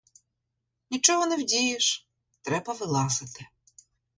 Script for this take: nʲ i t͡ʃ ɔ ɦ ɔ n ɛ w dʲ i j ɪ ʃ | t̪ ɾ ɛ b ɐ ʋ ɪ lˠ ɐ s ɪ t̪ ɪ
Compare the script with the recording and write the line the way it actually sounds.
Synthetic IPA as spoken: nʲ i t͡ʃ ɔ ɦ ɔ n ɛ w dʲ i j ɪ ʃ | t̪ ɾ ɛ b ɐ ʋ ɪ lˠ ɑ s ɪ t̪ ɪ